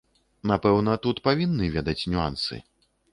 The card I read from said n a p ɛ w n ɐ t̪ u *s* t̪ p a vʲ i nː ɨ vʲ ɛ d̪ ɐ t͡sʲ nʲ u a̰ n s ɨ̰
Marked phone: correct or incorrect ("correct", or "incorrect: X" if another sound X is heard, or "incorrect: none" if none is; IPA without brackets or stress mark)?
incorrect: none